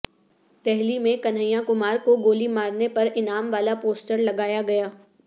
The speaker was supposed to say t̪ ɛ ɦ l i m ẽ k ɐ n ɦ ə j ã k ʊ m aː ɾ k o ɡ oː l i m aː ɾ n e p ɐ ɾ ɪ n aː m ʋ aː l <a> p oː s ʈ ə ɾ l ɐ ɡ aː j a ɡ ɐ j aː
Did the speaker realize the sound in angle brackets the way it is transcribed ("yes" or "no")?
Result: yes